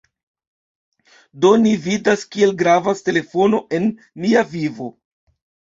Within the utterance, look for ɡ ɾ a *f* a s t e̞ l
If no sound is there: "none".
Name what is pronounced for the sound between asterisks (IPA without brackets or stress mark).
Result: v